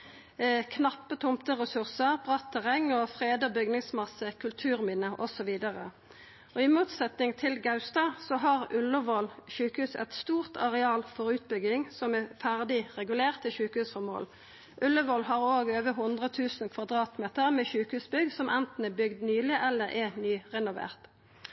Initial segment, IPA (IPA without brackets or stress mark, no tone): kʰ